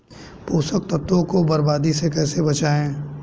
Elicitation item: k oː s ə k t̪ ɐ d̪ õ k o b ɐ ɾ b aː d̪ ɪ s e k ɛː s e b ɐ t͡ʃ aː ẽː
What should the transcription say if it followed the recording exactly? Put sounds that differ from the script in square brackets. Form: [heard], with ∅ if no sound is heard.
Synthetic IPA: [p] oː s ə k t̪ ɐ [t̪] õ k o b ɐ ɾ b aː d̪ [i] s e k ɛː s e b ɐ t͡ʃ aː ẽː